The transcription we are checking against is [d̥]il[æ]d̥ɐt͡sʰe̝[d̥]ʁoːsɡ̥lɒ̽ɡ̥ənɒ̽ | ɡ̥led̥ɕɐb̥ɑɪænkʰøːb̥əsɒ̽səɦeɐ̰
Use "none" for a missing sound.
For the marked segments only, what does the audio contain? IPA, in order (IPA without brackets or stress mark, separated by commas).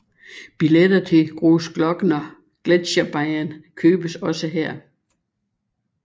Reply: b̥, e, ɡ̥